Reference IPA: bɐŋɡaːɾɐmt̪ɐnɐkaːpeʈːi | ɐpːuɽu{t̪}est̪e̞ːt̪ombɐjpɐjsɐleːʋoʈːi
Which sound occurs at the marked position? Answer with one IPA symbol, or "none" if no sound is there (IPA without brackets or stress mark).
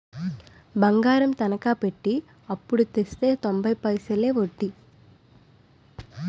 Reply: t̪